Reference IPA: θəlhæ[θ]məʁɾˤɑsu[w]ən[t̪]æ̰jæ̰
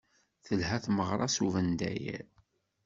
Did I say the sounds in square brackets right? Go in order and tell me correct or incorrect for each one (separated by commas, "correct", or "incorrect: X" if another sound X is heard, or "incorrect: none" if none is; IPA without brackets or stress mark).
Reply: correct, incorrect: v, incorrect: d̪